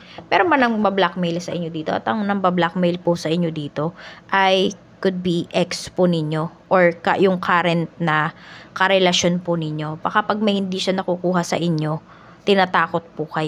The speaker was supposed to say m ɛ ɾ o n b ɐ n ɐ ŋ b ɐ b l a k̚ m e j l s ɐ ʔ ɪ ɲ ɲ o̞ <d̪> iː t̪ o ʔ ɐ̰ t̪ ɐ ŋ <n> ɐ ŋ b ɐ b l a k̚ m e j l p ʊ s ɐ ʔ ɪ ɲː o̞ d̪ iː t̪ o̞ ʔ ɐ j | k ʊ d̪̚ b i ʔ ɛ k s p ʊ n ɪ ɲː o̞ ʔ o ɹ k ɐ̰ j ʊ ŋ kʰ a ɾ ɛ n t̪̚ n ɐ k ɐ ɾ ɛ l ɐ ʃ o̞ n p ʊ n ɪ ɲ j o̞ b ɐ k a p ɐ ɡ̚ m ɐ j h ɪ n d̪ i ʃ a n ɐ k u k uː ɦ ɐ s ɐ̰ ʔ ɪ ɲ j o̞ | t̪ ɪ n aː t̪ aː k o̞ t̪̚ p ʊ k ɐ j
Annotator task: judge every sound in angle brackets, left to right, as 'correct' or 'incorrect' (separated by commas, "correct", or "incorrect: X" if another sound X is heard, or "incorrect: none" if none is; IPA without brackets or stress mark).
correct, correct